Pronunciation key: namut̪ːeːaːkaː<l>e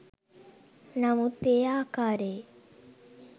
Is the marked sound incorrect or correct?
incorrect: ɾ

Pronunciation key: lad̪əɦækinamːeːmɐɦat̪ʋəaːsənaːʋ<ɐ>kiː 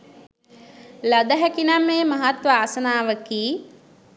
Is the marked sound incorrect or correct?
incorrect: ə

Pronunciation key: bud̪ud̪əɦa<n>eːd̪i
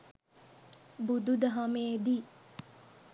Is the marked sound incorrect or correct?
incorrect: m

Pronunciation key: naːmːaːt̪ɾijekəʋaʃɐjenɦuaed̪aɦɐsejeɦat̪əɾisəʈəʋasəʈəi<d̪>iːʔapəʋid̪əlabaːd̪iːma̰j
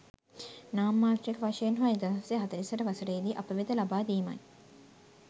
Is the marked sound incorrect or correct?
correct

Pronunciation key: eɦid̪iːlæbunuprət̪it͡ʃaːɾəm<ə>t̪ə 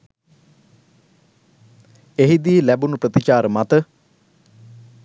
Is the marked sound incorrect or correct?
incorrect: a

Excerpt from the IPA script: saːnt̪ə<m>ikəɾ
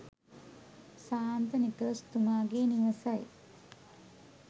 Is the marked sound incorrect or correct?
incorrect: n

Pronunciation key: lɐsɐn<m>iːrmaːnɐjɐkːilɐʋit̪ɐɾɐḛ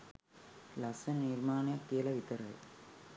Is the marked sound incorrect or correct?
incorrect: n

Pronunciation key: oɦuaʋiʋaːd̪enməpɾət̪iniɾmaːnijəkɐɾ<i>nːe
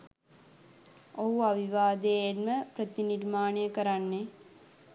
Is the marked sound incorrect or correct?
incorrect: a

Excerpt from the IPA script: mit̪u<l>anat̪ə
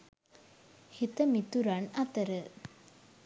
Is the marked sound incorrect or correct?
incorrect: ɾ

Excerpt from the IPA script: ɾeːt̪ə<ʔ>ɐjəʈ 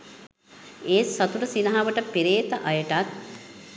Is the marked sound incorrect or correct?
correct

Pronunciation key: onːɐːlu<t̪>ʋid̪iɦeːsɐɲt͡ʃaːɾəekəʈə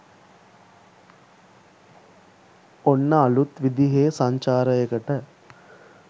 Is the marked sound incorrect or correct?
correct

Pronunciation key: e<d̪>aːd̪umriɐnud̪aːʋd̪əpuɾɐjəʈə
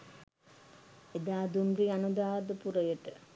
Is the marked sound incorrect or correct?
correct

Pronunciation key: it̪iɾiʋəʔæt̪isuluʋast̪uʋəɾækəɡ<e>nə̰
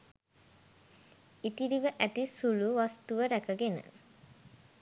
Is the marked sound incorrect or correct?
correct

